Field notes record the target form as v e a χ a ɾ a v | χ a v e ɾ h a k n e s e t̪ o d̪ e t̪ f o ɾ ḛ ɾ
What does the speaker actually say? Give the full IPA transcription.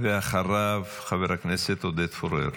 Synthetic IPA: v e a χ a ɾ a v | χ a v e ɾ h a k n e s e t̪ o d̪ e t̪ f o ɾ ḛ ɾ